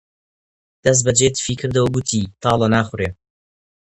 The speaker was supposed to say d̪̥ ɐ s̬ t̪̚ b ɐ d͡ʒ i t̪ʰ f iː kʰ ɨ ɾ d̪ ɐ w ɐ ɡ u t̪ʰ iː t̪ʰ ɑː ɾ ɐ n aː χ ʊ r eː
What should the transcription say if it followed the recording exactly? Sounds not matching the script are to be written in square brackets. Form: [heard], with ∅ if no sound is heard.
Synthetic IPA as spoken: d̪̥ ɐ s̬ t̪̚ b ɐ d͡ʒ [e] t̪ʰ f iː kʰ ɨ ɾ d̪ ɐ w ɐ ɡ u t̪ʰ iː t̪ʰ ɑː [l] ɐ n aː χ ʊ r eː